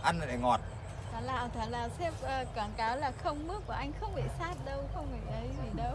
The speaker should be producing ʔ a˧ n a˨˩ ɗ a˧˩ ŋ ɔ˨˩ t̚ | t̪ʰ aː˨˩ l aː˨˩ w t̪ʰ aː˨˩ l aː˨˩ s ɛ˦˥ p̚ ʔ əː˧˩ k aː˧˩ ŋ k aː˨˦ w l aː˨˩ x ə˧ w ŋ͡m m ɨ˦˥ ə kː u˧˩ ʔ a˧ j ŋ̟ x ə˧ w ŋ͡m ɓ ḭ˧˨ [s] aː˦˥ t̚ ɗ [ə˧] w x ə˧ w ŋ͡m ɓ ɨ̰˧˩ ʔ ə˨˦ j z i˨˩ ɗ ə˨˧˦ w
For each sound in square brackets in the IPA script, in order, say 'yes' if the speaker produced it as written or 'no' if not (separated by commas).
yes, yes